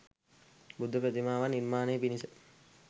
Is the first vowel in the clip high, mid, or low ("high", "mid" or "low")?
high